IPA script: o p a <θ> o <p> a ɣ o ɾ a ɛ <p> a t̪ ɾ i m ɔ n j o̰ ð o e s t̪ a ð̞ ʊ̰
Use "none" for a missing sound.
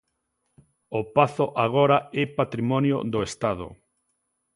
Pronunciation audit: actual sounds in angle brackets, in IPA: θ, ʔ, p

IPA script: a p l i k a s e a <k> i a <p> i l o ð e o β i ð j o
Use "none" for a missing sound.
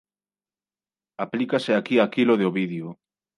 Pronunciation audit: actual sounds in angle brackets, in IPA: k, k

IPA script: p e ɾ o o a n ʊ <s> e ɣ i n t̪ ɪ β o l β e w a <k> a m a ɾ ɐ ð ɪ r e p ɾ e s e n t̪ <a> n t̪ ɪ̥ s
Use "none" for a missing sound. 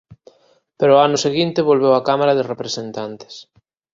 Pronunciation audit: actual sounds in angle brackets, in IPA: s, k, a

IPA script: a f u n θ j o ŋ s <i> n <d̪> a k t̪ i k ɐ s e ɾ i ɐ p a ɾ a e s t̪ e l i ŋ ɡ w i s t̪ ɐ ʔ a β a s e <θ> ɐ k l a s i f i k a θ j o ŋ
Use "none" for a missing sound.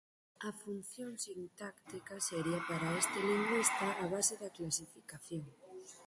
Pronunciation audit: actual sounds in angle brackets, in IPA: i, t̪, ð

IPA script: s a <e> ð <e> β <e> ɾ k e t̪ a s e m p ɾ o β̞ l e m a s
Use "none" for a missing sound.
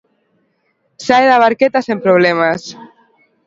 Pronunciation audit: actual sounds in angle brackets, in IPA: e, a, a

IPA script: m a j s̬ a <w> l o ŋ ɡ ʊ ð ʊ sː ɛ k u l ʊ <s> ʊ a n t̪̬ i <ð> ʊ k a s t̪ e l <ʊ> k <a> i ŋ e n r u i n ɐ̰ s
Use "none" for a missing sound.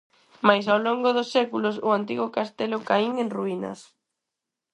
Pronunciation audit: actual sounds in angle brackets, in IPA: w, s, ɣ, ʊ, a

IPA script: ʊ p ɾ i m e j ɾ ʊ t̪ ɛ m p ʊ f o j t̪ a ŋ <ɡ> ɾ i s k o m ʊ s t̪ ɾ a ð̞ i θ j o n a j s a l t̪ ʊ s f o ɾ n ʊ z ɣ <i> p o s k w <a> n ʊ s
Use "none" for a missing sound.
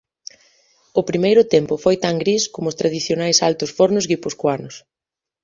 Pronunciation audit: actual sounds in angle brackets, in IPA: ɡ, i, a

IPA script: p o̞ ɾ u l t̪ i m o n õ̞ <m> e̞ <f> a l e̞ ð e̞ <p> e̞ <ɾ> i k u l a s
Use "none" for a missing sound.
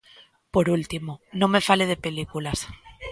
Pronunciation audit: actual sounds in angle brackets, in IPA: m, f, p, l

